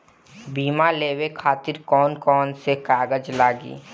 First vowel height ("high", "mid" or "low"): high